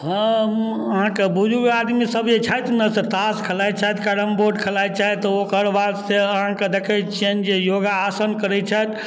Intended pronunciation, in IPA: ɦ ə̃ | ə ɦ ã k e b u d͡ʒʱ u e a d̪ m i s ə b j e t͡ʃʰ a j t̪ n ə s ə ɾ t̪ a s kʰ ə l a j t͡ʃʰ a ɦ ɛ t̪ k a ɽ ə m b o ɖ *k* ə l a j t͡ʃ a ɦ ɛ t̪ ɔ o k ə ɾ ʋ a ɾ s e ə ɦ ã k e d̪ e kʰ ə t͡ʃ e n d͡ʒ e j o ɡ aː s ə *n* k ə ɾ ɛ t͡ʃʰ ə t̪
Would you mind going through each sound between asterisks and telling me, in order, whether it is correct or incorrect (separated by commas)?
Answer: incorrect, correct